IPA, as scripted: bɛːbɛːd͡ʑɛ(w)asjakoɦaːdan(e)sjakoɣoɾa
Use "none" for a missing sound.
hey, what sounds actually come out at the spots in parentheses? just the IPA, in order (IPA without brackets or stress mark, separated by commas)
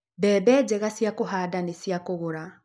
ɣ, e